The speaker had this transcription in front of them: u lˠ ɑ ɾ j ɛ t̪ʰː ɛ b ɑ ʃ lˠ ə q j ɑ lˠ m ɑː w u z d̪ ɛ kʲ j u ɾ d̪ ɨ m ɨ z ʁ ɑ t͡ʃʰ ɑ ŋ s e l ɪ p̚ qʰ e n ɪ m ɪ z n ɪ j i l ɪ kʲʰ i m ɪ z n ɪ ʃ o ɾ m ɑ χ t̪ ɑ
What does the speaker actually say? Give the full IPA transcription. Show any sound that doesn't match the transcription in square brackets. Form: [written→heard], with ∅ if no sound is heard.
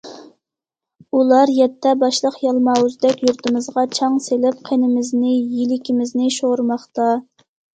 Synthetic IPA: u lˠ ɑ ɾ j ɛ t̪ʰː ɛ b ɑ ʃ lˠ ə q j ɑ lˠ m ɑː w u z d̪ ɛ kʲ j u ɾ [d̪→t̪] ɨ m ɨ z ʁ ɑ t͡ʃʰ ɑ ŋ s e l ɪ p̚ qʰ e n ɪ m ɪ z n ɪ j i l ɪ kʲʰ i m ɪ z n ɪ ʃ o ɾ m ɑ χ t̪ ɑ